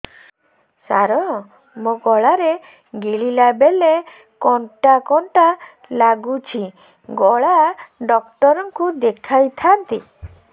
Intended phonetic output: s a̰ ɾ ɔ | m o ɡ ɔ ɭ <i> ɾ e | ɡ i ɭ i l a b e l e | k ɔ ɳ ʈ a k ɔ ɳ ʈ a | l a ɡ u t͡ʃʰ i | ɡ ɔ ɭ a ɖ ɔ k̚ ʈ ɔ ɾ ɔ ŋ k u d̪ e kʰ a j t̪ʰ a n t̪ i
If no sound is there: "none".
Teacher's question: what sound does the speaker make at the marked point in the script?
a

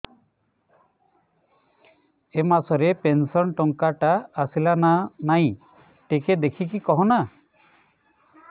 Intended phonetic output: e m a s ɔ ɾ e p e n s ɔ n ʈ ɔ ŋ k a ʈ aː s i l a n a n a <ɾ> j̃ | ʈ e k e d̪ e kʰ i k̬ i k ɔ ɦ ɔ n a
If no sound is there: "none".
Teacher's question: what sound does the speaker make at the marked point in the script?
none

